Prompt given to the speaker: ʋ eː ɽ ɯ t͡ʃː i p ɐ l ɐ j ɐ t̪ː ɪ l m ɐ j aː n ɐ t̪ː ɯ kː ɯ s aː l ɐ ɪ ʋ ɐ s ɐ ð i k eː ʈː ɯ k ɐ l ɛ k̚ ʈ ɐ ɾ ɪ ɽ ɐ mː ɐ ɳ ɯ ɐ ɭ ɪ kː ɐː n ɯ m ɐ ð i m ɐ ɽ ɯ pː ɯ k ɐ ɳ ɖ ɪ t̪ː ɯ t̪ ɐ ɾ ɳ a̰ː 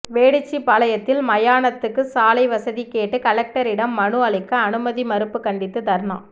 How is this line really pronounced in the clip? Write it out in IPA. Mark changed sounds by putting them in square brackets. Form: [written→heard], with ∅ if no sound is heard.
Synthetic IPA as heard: ʋ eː ɽ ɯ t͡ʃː i p ɐ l ɐ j ɐ t̪ː ɪ l m ɐ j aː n ɐ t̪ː ɯ kː ɯ s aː l ɐ ɪ ʋ ɐ s ɐ ð i k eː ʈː ɯ k ɐ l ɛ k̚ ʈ ɐ ɾ ɪ ɽ ɐ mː ɐ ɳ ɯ ɐ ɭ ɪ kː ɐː n ɯ m ɐ ð i m ɐ [ɽ→ɾ] ɯ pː ɯ k ɐ ɳ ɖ ɪ t̪ː ɯ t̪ ɐ ɾ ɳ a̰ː